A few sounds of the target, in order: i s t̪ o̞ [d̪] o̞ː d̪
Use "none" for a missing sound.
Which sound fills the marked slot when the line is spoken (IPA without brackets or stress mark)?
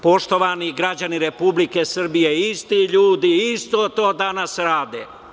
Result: t̪